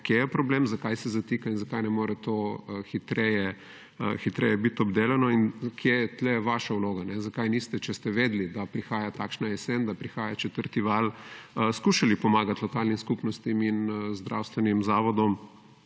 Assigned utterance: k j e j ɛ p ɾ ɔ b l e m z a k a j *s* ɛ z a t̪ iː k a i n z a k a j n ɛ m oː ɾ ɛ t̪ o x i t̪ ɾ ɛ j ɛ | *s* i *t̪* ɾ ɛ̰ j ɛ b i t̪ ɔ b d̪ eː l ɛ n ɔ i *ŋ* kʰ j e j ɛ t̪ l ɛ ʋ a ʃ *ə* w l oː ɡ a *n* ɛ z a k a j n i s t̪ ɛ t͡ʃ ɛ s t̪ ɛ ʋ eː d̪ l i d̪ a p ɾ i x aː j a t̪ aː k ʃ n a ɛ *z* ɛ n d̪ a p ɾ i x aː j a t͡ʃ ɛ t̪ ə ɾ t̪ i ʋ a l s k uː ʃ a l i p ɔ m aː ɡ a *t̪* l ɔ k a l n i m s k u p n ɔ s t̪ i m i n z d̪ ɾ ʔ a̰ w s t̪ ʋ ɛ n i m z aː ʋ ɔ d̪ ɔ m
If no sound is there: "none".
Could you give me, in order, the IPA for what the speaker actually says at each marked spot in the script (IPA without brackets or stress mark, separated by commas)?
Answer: s, x, t̪, n, a, n, s, t̪